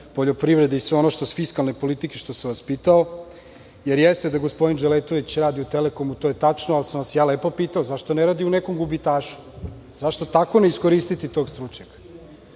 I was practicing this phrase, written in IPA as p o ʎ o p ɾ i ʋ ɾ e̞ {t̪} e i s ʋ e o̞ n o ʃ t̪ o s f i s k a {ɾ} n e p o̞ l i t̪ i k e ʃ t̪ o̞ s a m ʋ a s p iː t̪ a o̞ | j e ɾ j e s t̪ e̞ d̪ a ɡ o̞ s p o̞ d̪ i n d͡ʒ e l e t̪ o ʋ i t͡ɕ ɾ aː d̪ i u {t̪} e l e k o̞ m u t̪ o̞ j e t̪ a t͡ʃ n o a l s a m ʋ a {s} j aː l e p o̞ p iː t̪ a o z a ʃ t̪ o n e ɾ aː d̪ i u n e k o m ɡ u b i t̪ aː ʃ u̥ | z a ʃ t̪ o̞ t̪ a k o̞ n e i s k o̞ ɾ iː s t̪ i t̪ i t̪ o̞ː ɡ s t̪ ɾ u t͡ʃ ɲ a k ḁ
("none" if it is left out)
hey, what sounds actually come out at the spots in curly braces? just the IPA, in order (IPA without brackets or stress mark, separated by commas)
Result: d̪, l, t̪, s